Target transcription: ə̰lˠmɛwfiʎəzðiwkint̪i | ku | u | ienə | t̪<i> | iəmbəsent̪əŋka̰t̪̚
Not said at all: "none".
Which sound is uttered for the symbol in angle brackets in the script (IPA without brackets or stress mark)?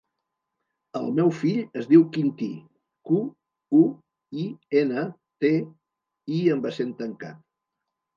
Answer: e